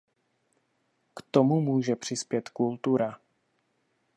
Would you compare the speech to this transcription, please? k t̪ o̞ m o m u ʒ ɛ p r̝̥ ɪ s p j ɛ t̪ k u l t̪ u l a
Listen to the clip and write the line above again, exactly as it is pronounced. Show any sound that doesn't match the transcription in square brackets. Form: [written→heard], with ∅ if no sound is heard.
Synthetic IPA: k t̪ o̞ m [o→u] m [u→uː] ʒ ɛ p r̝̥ ɪ s p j ɛ t̪ k u l t̪ u [l→ɾ] a